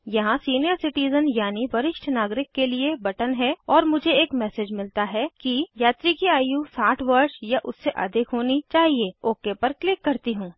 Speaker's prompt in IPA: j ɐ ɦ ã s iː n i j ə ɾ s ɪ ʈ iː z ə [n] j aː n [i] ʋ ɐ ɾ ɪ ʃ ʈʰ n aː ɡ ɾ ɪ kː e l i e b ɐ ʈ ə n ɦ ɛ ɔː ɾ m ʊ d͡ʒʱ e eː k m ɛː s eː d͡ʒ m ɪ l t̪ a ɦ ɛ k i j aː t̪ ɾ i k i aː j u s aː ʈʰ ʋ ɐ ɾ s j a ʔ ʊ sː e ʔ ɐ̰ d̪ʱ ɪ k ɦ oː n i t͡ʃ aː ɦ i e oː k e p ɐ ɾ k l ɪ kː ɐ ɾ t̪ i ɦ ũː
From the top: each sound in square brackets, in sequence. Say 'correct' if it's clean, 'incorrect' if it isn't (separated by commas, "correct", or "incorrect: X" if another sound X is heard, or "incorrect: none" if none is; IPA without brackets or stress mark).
correct, correct